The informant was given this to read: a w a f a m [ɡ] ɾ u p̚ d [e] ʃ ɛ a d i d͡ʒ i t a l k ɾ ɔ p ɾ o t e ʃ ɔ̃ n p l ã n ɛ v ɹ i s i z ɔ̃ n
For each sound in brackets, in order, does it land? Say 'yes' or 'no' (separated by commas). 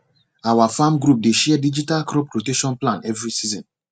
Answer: yes, yes